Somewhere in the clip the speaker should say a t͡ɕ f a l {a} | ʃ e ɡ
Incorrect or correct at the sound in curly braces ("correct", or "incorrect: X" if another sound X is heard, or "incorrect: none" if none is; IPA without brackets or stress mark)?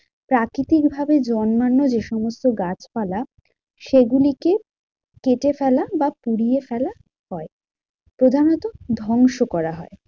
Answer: correct